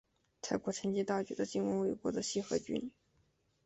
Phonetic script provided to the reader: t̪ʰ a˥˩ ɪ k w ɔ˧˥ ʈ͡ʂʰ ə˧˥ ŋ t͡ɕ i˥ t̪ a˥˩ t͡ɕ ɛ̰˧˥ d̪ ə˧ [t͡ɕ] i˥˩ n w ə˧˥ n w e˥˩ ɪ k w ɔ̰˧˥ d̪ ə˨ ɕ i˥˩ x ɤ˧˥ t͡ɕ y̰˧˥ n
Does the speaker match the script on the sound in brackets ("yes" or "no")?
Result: yes